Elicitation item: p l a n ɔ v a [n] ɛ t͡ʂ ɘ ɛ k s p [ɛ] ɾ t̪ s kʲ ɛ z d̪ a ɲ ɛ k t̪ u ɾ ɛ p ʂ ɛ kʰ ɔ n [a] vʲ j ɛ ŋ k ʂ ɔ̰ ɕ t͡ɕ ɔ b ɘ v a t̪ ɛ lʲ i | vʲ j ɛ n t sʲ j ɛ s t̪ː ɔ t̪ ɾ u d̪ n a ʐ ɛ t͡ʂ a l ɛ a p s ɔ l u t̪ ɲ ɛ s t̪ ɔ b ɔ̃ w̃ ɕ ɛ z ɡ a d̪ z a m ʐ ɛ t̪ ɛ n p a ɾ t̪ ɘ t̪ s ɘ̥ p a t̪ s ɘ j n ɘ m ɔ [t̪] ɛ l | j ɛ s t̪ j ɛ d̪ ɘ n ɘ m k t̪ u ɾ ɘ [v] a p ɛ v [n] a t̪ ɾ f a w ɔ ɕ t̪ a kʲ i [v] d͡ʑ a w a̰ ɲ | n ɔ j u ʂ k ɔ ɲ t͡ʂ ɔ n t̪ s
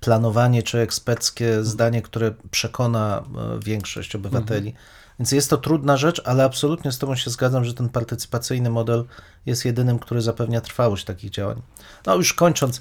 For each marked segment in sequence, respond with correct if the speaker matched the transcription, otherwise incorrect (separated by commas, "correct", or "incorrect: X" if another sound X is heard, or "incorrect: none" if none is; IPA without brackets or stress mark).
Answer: incorrect: ɲ, correct, correct, incorrect: d̪, incorrect: z, incorrect: ɲ, incorrect: ɣ